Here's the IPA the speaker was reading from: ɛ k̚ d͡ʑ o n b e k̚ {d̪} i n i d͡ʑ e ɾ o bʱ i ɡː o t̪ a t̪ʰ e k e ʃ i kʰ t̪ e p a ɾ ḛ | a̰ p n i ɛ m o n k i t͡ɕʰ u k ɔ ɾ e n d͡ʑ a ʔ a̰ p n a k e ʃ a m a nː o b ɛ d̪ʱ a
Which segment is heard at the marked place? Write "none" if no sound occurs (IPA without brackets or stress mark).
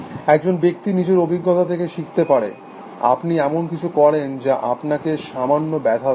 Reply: t̪